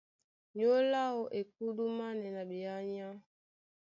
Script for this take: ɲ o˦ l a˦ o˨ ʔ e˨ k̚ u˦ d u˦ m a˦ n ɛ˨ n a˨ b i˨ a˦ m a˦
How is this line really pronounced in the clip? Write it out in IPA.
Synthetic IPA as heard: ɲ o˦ l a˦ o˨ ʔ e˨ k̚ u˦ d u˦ m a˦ n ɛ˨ n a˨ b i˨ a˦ ɲ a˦